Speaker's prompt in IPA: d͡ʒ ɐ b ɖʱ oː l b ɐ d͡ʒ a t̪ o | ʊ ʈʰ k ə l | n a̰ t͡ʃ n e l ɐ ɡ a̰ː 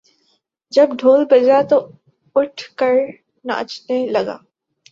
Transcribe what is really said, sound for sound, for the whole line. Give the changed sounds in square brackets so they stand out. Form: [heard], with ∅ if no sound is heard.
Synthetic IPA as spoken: d͡ʒ ɐ b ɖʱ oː l b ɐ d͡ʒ a t̪ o | ʊ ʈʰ k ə [ɾ] | n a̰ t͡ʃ n e l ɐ ɡ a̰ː